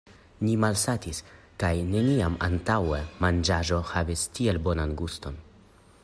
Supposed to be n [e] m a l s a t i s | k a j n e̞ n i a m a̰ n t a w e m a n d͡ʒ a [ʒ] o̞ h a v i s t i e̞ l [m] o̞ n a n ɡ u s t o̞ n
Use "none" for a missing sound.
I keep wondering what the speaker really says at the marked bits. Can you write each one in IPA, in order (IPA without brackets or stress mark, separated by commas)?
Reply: i, ʒ, b